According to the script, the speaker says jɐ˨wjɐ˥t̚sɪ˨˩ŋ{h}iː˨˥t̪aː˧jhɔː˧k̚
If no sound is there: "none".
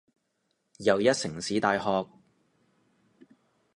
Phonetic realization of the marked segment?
s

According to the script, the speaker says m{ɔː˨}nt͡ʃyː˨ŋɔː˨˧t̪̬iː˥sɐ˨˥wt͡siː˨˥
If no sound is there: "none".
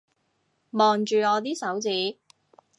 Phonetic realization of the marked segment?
ɔː˨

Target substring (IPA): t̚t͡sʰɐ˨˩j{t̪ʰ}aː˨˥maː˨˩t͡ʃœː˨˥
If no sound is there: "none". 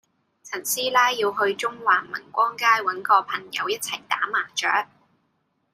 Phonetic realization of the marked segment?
t̪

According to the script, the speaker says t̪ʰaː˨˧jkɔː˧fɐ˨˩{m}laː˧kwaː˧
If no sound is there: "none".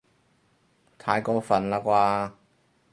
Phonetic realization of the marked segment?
n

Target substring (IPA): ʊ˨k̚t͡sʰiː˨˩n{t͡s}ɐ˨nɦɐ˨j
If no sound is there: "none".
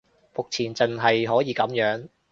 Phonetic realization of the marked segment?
t͡s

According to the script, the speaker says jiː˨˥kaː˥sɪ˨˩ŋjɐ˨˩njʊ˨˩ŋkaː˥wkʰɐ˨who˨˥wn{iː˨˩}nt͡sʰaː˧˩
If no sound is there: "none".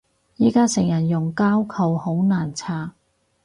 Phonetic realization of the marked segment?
aː˨˩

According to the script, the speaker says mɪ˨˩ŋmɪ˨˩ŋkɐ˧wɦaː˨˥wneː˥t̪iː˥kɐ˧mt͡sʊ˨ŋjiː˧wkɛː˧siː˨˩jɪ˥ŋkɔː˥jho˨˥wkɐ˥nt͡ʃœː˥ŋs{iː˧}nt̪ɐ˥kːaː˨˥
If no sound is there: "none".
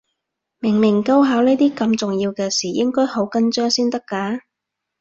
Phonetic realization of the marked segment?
iː˥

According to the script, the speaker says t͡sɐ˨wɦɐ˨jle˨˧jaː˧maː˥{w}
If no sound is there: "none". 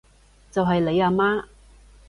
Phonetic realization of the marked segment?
none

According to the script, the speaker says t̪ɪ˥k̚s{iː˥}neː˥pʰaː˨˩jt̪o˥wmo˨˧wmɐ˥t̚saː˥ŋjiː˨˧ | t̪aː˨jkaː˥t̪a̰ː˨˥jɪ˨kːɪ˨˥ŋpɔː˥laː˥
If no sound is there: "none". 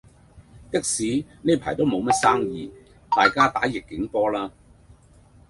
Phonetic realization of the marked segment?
iː˨˥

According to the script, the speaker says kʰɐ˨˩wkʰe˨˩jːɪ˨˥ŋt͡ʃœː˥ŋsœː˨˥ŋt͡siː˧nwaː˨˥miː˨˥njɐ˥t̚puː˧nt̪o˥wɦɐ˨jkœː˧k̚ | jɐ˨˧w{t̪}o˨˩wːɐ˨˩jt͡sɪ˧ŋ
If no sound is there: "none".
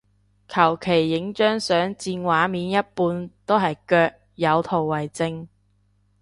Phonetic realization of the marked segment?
t̪ʰ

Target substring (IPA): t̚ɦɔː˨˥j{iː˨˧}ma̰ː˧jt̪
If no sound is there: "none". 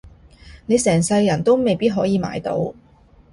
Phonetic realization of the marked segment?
iː˨˧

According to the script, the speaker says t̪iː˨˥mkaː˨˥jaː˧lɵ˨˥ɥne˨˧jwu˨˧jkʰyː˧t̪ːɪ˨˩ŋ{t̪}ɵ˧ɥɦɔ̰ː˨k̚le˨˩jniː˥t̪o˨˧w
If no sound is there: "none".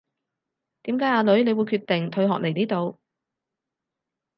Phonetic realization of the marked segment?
t̪ʰ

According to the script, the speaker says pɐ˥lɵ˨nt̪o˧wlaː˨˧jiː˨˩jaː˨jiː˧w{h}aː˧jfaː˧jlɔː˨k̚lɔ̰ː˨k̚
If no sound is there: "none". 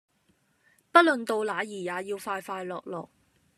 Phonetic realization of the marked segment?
f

